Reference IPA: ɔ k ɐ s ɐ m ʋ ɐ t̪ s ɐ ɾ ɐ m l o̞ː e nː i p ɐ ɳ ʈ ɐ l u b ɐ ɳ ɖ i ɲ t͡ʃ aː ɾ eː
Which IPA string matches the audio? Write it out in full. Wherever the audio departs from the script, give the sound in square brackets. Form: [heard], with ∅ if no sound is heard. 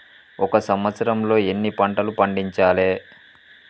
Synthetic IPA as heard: ɔ k ɐ s ɐ m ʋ ɐ t̪ s ɐ ɾ ɐ m l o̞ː e nː i p ɐ ɳ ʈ ɐ l u [p] ɐ ɳ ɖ i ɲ t͡ʃ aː [l] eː